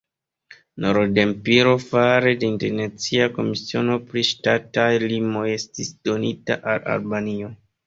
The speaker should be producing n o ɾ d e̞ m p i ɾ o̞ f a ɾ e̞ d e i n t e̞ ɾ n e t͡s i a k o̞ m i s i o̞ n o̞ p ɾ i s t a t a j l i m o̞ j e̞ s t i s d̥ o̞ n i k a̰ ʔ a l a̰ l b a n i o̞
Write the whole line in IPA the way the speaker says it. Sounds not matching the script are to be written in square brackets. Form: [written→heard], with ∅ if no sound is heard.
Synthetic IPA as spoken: n o ɾ d e̞ m p i ɾ o̞ f a ɾ e̞ d e i n t e̞ ɾ n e t͡s i a k o̞ m i s i o̞ n o̞ p ɾ i [s→ʃ] t a t a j l i m o̞ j e̞ s t i s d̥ o̞ n i [k→t] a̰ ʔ a l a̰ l b a n i o̞